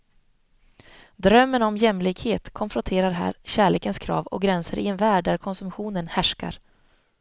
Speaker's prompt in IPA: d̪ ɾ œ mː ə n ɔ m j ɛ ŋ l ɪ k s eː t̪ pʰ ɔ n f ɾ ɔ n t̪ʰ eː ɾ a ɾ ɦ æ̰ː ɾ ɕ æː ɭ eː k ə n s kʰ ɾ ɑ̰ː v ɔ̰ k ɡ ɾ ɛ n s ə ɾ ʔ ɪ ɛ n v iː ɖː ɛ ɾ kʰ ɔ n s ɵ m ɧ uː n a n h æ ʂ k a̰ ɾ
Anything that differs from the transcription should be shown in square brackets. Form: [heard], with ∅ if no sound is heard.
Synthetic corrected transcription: d̪ ɾ œ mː ə n ɔ m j ɛ [m] l ɪ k [h] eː t̪ [kʰ] ɔ n f ɾ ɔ n t̪ʰ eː ɾ a ɾ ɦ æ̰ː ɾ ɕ æː ɭ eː k ə n s kʰ ɾ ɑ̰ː v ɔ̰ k ɡ ɾ ɛ n s ə ɾ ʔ ɪ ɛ n v [æː] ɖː [æ] ɾ kʰ ɔ n s ɵ m ɧ uː n [ə] n h æ ʂ k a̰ ɾ